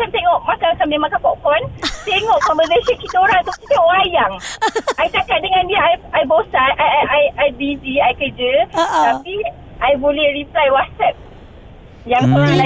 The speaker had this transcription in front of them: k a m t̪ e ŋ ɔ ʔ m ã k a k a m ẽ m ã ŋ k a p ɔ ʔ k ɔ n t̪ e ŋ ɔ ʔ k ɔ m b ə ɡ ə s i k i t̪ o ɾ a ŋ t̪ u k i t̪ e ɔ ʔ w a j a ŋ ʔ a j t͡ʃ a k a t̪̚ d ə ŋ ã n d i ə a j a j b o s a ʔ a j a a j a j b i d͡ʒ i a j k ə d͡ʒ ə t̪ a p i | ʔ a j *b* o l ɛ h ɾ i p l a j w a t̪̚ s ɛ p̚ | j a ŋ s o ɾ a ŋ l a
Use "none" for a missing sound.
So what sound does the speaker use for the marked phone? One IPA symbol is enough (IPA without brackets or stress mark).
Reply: b